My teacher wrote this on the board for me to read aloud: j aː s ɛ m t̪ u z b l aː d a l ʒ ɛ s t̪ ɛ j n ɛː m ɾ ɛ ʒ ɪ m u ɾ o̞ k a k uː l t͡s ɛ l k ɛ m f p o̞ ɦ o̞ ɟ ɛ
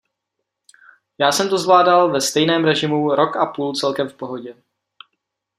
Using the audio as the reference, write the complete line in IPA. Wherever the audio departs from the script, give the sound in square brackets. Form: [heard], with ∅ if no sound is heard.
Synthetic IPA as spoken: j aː s ɛ m t̪ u z [v] l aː d a l [v] ɛ s t̪ ɛ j n ɛː m ɾ ɛ ʒ ɪ m u ɾ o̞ k a [p] uː l t͡s ɛ l k ɛ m f p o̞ ɦ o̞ ɟ ɛ